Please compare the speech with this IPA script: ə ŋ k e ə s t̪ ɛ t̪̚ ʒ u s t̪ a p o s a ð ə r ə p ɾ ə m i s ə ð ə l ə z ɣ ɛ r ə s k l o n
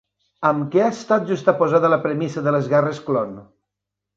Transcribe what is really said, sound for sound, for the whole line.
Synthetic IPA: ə m k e a s t̪ a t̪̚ ʒ u s t̪ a p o z a ð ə l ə p ɾ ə m i s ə ð ə l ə z ɣ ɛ r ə s k l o n